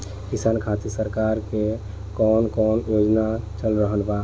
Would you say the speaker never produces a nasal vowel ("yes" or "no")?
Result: yes